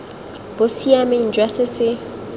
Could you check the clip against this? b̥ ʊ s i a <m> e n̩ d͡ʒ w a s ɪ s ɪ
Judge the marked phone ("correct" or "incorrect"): correct